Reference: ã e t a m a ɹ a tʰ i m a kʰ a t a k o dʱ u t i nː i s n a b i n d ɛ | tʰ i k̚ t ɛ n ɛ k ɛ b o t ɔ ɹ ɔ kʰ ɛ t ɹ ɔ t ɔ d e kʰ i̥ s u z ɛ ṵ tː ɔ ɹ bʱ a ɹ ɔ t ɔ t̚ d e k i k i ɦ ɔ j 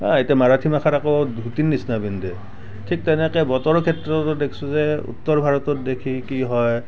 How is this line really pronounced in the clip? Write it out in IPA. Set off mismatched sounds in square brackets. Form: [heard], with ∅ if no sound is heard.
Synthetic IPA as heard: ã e t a m a ɹ a tʰ i m a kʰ a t a k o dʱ u t i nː i s n a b i n d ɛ | tʰ i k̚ t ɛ n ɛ k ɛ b [ɔ] t ɔ ɹ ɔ kʰ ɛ t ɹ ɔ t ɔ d e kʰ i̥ s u z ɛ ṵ tː ɔ ɹ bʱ a ɹ ɔ t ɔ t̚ d e [kʰ] i k i ɦ ɔ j